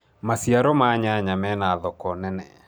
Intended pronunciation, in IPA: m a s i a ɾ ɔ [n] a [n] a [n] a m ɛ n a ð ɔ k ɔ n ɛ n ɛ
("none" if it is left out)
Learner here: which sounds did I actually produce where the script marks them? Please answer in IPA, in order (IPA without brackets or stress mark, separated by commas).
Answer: m, ɲ, ɲ